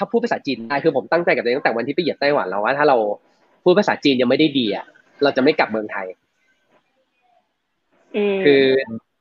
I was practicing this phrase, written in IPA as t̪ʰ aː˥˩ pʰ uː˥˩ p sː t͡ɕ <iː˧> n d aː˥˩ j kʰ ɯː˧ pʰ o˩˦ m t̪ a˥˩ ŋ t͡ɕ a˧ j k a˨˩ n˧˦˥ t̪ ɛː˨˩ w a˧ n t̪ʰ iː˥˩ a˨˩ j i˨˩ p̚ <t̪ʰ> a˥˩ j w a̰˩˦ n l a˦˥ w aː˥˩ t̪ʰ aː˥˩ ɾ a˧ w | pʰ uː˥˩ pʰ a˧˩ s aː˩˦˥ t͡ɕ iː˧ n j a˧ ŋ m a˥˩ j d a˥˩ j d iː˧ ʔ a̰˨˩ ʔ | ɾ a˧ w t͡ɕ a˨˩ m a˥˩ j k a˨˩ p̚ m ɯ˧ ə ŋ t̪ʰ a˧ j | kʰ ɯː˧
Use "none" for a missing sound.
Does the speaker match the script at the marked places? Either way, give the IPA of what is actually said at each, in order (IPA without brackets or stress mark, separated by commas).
iː˧, t̪